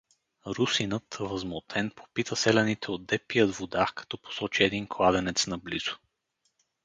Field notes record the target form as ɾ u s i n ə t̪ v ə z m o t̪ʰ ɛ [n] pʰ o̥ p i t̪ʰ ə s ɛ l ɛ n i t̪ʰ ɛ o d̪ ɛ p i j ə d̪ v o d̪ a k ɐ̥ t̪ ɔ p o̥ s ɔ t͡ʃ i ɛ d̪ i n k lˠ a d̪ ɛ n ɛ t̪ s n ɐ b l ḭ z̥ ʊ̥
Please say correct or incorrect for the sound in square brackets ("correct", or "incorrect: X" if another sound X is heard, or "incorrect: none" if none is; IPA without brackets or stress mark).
correct